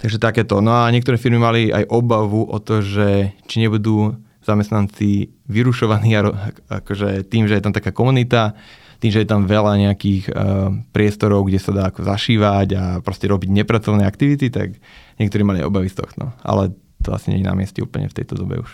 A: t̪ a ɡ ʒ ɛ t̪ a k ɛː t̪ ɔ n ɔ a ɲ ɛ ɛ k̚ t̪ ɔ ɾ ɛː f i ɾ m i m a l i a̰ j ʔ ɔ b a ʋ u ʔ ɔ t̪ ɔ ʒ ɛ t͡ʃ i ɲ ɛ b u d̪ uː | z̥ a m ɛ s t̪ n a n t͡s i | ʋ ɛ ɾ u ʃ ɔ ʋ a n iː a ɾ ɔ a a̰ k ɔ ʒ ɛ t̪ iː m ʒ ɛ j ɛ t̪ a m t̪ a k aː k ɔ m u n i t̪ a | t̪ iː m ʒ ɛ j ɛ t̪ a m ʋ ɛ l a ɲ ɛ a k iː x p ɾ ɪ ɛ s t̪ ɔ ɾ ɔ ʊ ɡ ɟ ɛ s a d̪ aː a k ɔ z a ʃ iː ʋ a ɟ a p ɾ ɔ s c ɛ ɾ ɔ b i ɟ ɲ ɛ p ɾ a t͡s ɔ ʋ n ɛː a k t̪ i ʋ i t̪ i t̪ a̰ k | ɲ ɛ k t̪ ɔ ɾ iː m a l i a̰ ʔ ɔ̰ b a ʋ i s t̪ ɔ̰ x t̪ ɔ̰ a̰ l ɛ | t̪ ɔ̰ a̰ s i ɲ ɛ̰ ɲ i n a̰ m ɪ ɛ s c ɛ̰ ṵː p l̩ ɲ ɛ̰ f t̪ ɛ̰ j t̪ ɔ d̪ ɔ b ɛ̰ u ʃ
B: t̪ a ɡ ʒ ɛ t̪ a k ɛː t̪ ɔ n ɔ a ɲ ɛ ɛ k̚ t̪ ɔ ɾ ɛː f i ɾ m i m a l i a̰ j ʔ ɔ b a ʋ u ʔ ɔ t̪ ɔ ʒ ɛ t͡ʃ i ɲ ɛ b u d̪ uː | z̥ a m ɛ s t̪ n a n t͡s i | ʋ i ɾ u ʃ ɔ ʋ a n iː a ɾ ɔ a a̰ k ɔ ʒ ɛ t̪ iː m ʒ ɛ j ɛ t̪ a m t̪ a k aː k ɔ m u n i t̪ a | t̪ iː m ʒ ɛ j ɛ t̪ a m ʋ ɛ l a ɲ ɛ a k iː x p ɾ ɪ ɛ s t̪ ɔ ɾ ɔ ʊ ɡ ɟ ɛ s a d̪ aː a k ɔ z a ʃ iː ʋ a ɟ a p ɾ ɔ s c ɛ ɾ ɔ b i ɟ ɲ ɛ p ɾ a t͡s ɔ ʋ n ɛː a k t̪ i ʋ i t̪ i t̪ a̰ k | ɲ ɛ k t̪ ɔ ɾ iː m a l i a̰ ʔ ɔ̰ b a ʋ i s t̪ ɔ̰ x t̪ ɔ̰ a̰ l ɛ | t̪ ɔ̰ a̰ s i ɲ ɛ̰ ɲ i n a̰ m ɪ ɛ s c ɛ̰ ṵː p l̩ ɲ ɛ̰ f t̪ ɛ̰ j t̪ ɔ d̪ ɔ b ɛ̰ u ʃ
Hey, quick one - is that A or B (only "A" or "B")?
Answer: B